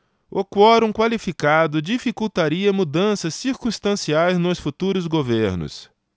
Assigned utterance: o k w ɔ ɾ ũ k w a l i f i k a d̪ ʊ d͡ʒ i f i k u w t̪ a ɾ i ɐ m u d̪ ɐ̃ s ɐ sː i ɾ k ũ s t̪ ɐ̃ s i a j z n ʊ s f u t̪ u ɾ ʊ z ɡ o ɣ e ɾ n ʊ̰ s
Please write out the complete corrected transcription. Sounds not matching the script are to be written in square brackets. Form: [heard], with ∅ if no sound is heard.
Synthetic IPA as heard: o k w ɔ ɾ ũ k w a l i f i k a d̪ ʊ d͡ʒ i f i k u w t̪ a ɾ i ɐ m u d̪ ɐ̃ s ɐ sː i ɾ k ũ s t̪ ɐ̃ s i a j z n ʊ s f u t̪ u ɾ ʊ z ɡ o [v] e ɾ n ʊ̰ s